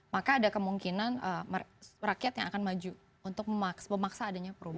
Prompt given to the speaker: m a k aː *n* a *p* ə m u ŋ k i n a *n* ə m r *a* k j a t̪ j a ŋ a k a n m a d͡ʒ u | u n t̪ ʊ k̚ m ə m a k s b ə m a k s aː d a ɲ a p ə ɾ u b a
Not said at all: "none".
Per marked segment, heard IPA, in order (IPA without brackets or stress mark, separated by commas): d, k, n, a